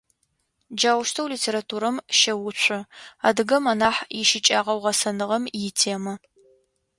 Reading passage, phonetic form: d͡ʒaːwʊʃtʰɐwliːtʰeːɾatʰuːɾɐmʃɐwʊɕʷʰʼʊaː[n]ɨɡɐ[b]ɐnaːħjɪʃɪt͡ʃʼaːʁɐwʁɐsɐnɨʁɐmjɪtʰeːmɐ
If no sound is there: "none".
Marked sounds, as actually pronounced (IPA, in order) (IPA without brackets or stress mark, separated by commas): d, m